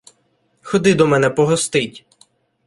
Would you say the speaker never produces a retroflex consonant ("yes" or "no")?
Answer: yes